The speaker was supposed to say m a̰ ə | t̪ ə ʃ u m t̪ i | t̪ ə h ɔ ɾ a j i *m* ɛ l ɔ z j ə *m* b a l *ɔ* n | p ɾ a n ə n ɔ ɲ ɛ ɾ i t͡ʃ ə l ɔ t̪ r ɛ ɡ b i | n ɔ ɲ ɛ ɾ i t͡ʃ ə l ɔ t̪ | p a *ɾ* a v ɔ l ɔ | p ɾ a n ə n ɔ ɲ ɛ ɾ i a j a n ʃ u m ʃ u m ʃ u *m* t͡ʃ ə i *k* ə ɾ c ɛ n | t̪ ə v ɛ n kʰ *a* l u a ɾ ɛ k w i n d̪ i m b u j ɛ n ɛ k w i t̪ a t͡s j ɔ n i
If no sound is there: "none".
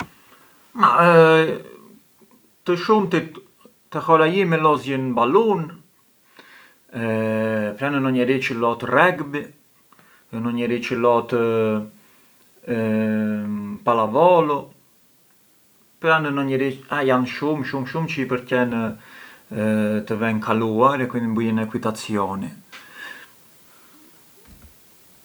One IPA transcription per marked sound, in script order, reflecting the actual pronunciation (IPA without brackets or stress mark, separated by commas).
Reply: m, n, u, l, m, p, a